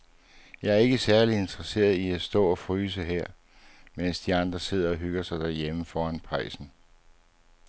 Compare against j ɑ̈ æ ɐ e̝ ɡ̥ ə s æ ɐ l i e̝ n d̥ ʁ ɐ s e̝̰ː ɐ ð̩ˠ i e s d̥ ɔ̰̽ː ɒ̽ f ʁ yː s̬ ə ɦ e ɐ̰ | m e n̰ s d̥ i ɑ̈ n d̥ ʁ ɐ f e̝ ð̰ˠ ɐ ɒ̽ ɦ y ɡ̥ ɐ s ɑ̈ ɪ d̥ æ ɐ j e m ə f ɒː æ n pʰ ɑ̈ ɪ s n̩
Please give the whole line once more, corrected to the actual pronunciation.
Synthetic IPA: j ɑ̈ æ ɐ e̝ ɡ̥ ə s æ ɐ l i e̝ n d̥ ʁ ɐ s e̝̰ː ɐ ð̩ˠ i æ s d̥ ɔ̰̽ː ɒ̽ f ʁ yː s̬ ə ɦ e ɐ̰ | m e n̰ s d̥ i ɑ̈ n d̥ ʁ ɐ s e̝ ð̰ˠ ɐ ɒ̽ ɦ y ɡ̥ ɐ s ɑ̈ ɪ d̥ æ ɐ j e m ə f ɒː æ n pʰ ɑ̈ ɪ s n̩

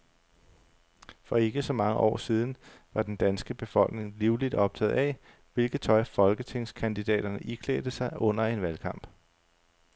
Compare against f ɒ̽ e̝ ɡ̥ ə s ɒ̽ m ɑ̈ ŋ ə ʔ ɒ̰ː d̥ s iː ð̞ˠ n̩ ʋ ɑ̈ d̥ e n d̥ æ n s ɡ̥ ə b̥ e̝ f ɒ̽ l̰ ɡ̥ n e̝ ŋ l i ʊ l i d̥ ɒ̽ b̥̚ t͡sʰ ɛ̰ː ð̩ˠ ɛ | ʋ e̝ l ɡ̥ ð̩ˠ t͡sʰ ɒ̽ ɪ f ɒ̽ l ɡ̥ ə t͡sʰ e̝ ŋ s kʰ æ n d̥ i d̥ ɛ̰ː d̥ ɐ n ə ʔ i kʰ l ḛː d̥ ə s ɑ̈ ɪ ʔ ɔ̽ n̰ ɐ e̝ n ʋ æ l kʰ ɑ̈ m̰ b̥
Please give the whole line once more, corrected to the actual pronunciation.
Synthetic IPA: f ɒ̽ e̝ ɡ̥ ə s ɒ̽ m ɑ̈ ŋ ə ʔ ɒ̰ː s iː ð̞ˠ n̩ ʋ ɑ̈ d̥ e n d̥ æ n s ɡ̥ ə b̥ e̝ f ɒ̽ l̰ ɡ̥ n e̝ ŋ l i ʊ l i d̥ ɒ̽ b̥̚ t͡sʰ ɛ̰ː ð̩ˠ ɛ | ʋ e̝ l ɡ̥ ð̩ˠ t͡sʰ ɒ̽ ɪ f ɒ̽ l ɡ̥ ə t͡sʰ e̝ ŋ s kʰ æ n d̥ i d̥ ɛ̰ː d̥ ɐ n ə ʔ i kʰ l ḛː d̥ ə s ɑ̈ ɪ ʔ ɔ̽ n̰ ɐ e̝ n ʋ æ l kʰ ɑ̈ m̰ b̥

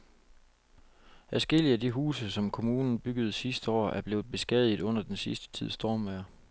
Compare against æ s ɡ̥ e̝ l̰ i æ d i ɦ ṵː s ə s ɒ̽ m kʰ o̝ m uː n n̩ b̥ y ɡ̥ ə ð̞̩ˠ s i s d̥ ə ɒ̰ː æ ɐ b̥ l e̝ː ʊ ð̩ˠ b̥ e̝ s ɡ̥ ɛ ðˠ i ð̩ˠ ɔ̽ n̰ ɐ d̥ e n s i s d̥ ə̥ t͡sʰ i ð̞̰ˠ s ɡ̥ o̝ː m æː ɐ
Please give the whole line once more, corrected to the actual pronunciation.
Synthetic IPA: æ s ɡ̥ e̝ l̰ i æ d i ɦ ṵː s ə s ɒ̽ m kʰ o̝ m uː n n̩ b̥ y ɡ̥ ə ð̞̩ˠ s i s d̥ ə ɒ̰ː æ ɐ b̥ l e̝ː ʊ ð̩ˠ b̥ e̝ s ɡ̥ ɛ ðˠ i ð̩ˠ ɔ̽ n̰ ɐ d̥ e n s i s d̥ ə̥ t͡sʰ i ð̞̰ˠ s d̥ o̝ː m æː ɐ

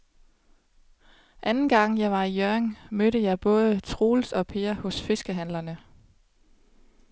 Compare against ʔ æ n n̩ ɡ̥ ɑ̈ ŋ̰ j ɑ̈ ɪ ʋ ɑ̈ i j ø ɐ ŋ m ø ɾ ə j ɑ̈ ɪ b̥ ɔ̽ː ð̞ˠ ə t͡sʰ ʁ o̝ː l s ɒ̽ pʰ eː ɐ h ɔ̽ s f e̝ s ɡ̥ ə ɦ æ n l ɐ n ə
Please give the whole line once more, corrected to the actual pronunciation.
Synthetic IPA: ʔ æ n n̩ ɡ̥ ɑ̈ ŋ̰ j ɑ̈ ɪ ʋ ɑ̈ i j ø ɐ ŋ m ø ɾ ə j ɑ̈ ɪ b̥ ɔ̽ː ð̞ˠ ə t͡sʰ ʁ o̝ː l s ɒ̽ pʰ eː ɐ h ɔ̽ s f e̝ s ɡ̥ ə ɦ æ n l ɐ n ə

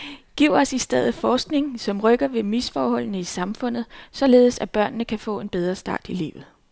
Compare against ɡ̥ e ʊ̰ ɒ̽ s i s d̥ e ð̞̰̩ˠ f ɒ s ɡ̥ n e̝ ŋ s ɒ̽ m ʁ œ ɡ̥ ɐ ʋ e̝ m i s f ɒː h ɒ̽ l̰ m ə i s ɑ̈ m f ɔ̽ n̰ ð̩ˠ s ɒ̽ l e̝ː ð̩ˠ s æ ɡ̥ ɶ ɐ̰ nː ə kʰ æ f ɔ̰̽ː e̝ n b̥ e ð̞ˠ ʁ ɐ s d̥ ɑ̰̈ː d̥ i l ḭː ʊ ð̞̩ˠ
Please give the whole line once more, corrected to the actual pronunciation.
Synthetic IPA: ɡ̥ i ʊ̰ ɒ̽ s i s d̥ e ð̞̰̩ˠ f ɒː s ɡ̥ n e̝ ŋ s ɒ̽ m ʁ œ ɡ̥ ɐ ʋ e̝ m i s f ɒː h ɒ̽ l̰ n ə i s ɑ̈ m f ɔ̽ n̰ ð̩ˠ s ɒ̽ l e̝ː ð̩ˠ s æ b̥ ɶ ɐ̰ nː ə kʰ æ f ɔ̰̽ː e̝ n b̥ e ð̞ˠ ʁ ɐ s d̥ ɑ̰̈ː d̥ i l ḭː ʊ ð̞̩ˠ

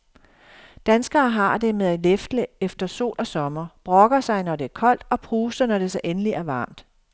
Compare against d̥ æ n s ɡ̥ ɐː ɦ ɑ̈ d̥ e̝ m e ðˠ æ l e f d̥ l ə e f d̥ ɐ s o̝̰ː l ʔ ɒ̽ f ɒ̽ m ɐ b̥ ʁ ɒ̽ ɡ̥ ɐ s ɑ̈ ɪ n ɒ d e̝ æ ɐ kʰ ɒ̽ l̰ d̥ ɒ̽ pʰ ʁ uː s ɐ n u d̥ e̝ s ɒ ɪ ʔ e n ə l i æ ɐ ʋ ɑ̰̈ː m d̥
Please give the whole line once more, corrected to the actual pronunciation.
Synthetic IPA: d̥ æ n s ɡ̥ ɐː ɦ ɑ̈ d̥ e̝ m e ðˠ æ l e f d̥ l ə e f d̥ ɐ s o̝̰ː l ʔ ɒ̽ s ɒ̽ m ɐ b̥ ʁ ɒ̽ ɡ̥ ɐ s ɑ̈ ɪ n ɒ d e̝ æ ɐ kʰ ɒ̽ l̰ d̥ ɒ̽ pʰ ʁ uː s ɐ n ɒ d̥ e̝ s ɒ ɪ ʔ e n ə l i æ ɐ ʋ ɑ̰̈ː m d̥

